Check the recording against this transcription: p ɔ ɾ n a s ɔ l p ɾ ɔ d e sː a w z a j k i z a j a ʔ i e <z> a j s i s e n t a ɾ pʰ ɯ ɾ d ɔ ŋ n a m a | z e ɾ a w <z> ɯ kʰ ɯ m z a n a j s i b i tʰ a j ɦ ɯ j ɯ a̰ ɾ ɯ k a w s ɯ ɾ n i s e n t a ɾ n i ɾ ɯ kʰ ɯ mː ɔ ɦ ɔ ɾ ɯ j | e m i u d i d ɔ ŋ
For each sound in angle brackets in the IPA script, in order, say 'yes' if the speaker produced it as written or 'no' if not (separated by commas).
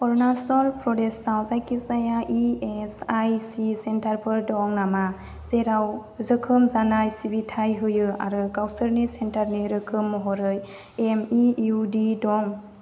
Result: no, yes